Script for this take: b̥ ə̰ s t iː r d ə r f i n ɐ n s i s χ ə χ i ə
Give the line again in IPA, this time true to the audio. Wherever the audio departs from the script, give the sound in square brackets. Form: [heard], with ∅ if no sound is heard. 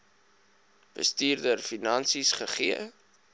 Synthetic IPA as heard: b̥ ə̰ s t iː r d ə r f i n ɐ n s i s χ ə χ i ə